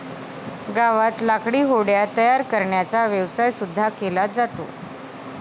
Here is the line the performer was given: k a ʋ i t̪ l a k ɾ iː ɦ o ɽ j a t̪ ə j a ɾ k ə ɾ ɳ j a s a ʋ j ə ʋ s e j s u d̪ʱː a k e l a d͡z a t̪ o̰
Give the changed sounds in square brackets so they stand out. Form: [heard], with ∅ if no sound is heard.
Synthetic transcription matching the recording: [ɡ] a ʋ [a] t̪ l a k [ɽ] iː ɦ o ɽ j a t̪ ə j a ɾ k ə ɾ ɳ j a [t͡s] a ʋ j ə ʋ s [a] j s u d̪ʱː a k e l a d͡z a t̪ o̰